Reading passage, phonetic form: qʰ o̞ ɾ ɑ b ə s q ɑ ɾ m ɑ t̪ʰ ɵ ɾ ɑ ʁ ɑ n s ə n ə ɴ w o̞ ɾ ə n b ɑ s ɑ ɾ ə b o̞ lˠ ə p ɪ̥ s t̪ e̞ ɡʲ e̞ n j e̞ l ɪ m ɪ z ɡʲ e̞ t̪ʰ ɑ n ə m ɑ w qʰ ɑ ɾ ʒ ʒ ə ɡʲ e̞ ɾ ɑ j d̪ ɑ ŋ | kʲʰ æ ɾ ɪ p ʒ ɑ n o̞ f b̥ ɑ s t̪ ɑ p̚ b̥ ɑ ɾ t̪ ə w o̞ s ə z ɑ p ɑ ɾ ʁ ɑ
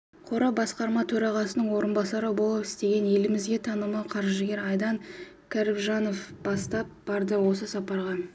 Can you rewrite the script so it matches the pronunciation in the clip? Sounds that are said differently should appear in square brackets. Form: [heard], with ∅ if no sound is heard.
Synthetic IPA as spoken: qʰ o̞ ɾ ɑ b [ɑ] s q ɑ ɾ m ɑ t̪ʰ ɵ ɾ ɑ ʁ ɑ [∅] s ə n ə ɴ w o̞ ɾ ə n b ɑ s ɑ ɾ ə b o̞ lˠ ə p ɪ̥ s t̪ e̞ ɡʲ e̞ n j e̞ l ɪ m ɪ z ɡʲ e̞ t̪ʰ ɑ n ə m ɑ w qʰ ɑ ɾ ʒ ʒ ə ɡʲ e̞ ɾ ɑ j d̪ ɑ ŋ | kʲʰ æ ɾ ɪ p ʒ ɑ n o̞ f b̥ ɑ s t̪ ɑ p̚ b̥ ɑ ɾ [d̪] ə w o̞ s ə [s] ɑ p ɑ ɾ ʁ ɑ